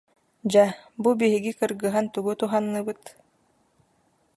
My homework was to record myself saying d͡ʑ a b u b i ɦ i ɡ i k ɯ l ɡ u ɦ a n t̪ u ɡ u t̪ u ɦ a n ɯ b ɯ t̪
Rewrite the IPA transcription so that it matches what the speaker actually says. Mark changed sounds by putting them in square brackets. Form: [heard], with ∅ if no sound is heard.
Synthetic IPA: d͡ʑ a b u b i ɦ i ɡ i k ɯ [ɾ] ɡ [ɯ] ɦ a n t̪ u ɡ u t̪ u ɦ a [nː] ɯ b ɯ t̪